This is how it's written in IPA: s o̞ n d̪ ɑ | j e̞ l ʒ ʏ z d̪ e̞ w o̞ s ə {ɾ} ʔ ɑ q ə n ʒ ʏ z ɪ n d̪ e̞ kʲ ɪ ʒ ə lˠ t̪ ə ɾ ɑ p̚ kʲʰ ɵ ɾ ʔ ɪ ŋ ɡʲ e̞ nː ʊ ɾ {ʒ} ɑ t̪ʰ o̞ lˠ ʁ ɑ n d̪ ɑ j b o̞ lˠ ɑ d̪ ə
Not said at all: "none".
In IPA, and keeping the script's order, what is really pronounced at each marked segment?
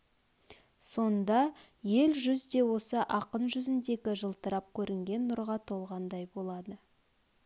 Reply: none, ʁ

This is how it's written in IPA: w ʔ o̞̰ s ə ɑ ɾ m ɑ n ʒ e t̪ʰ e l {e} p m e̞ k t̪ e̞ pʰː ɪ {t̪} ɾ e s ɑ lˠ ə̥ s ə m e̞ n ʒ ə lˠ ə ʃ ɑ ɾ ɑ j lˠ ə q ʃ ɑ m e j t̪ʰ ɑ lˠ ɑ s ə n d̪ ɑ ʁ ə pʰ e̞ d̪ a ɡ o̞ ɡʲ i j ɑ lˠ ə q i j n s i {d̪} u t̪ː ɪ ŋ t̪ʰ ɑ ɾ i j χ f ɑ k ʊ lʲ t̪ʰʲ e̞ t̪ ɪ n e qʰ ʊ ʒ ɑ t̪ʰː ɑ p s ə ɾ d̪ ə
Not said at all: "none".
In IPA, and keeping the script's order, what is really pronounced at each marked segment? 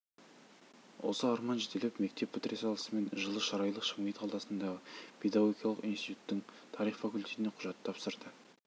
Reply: e, t̪, t̪

